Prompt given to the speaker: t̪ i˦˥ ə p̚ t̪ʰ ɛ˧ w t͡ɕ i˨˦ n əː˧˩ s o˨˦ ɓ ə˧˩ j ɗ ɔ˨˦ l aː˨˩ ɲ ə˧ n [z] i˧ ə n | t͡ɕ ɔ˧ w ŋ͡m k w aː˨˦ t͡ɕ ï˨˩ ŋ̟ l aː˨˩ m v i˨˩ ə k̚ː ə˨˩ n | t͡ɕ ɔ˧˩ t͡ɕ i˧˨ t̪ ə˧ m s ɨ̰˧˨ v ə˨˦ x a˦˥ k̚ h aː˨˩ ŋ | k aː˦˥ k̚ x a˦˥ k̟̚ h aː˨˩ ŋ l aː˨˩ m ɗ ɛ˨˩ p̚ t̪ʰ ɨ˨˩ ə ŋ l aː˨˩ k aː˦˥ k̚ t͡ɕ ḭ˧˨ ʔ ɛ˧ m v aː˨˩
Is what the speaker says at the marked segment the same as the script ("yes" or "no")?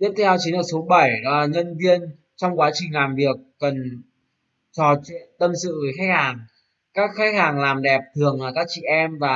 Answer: no